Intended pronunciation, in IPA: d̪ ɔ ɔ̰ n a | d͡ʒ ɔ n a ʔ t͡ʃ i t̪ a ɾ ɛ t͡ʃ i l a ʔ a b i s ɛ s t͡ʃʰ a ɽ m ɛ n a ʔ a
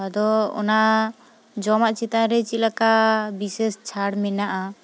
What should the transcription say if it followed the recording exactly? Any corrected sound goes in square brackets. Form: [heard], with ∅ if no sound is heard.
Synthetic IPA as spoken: d̪ ɔ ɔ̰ n a | d͡ʒ ɔ [m] a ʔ t͡ʃ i t̪ a ɾ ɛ t͡ʃ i l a [k] a b i s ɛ s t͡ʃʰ a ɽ m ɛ n a ʔ a

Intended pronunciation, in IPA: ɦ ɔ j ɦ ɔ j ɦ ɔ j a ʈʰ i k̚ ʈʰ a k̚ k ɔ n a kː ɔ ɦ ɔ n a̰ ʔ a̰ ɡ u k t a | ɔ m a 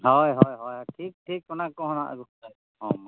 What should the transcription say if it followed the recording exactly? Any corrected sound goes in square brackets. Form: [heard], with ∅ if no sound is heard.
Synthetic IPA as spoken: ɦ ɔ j ɦ ɔ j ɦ ɔ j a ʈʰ i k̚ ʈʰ [i] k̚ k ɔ n a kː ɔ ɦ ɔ n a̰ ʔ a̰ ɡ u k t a | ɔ m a

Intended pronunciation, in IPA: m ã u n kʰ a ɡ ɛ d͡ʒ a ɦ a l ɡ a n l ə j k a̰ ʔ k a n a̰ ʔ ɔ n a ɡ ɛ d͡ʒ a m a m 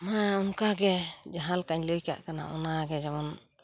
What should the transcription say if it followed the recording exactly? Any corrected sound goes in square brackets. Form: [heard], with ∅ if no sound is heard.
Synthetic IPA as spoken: m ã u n [k] a ɡ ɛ d͡ʒ a ɦ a l [k] a [ɲ] l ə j k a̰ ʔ k a n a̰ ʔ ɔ n a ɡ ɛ d͡ʒ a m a [n]

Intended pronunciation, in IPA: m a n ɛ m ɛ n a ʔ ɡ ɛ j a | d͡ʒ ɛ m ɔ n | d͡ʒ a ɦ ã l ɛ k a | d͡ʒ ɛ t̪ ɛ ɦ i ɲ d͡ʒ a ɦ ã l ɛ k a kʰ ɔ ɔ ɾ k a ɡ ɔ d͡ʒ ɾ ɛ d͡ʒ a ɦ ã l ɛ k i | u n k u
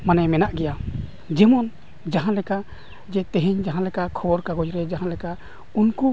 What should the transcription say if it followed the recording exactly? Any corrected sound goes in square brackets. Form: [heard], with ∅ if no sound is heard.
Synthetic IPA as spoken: m a n ɛ m ɛ n a ʔ ɡ ɛ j a | d͡ʒ ɛ m ɔ n | d͡ʒ a ɦ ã l ɛ k a | d͡ʒ ɛ t̪ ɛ ɦ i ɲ d͡ʒ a ɦ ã l ɛ k a kʰ ɔ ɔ ɾ k a ɡ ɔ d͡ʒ ɾ ɛ d͡ʒ a ɦ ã l ɛ k [a] | u n k u

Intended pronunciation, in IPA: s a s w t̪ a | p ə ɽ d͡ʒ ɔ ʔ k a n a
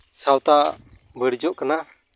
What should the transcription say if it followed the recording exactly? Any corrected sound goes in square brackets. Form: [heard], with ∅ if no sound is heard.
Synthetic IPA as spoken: s a [∅] w t̪ a | [b] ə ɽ d͡ʒ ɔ ʔ k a n a

